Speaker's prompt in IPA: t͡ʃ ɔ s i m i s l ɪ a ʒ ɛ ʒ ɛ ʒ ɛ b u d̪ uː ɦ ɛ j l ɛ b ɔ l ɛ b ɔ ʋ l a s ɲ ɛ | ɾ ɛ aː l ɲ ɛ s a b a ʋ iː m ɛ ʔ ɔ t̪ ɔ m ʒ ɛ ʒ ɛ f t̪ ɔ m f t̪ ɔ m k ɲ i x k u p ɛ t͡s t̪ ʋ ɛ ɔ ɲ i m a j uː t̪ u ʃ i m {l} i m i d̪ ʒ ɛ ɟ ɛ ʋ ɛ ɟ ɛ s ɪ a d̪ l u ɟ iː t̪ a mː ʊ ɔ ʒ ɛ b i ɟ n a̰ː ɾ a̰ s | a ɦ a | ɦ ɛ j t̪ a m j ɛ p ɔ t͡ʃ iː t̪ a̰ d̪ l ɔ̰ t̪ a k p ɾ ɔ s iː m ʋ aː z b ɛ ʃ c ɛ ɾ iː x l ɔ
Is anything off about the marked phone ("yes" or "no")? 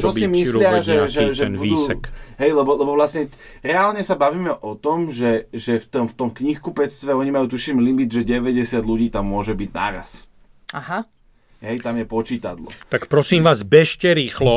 no